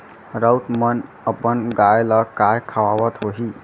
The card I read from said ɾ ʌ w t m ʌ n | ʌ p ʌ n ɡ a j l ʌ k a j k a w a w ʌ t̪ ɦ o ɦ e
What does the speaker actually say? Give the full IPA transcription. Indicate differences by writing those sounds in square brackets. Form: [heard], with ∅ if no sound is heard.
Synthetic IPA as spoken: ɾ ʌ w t m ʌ n | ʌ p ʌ n ɡ a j l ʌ k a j [kʰ] a w a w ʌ t̪ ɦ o ɦ [i]